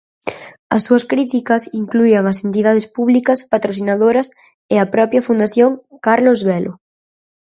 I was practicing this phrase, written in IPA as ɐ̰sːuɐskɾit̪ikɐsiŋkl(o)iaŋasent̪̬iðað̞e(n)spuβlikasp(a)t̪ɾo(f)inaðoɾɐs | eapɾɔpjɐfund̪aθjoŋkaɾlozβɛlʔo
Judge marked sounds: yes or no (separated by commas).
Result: no, no, yes, no